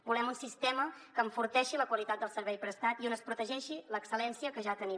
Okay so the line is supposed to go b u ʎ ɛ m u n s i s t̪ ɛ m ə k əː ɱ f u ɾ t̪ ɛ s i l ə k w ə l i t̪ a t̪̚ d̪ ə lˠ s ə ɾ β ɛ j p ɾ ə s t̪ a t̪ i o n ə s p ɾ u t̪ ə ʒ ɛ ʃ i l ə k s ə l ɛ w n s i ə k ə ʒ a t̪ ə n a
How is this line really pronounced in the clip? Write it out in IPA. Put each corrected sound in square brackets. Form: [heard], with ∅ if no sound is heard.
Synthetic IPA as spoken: b u [l] ɛ m u n s i s t̪ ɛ m ə k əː ɱ f u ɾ t̪ ɛ [ʃ] i l ə k w ə l i t̪ a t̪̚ d̪ ə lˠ s ə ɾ β ɛ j p ɾ ə s t̪ a t̪ i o n ə s p ɾ u t̪ ə ʒ ɛ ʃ i l ə k s ə l ɛ [∅] n s i ə k ə ʒ a t̪ ə n [i]